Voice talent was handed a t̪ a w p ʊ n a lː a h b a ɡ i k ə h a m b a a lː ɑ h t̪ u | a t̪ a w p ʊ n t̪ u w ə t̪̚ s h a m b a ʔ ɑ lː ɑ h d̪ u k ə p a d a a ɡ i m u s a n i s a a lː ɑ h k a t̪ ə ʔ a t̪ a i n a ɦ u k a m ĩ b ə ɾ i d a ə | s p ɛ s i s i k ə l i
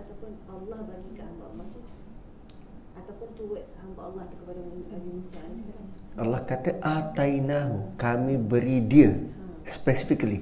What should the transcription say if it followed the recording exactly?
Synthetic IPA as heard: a t̪ a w p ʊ n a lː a h b a ɡ i k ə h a m b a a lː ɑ h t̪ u | a t̪ a w p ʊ n t̪ u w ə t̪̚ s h a m b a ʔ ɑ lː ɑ h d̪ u k ə p a d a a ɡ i m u s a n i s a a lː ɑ h k a t̪ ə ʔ a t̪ a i n a ɦ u k a m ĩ b ə ɾ i d i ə | s p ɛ s i f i k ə l i